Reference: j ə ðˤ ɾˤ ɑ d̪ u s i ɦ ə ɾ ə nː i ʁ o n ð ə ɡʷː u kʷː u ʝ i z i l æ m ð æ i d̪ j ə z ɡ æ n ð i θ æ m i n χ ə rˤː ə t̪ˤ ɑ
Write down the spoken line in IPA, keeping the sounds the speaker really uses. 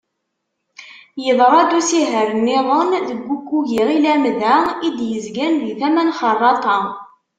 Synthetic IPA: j ə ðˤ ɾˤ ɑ d̪ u s i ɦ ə ɾ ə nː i ʁ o n ð ə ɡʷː u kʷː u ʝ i ʁ i l æ m ð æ i d̪ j ə z ɡ æ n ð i θ æ m æ n χ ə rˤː ɑ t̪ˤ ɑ